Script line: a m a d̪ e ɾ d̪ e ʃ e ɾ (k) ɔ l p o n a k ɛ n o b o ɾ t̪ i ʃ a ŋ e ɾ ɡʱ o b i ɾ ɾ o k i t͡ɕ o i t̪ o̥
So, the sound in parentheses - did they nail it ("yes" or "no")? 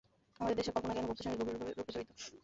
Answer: yes